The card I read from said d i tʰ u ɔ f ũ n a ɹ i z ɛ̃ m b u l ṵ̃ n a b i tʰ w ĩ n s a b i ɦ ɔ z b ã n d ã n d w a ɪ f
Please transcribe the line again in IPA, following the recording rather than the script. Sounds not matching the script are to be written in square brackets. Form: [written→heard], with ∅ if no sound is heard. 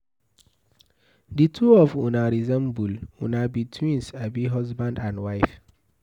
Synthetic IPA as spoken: d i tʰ u ɔ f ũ n a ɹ i z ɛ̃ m b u l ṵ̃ n a b i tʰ w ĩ n s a b i ɦ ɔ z b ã n d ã n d w a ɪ f